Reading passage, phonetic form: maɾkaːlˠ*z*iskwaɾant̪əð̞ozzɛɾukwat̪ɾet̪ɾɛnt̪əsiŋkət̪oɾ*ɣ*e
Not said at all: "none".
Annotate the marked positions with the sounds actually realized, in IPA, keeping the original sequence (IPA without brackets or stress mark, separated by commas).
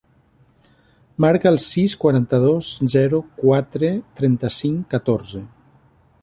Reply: s, z